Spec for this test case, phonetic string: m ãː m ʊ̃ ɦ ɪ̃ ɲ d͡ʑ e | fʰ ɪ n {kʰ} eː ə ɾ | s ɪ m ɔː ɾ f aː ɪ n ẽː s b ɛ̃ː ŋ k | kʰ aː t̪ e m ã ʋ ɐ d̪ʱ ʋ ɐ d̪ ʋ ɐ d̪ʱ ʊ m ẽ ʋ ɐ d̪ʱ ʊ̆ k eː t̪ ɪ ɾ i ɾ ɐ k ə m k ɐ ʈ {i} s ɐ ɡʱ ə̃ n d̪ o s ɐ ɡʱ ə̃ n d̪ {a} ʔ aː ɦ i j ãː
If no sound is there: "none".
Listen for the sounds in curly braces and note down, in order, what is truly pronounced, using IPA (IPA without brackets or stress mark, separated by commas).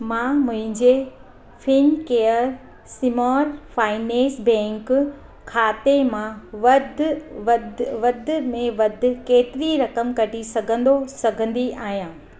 k, i, i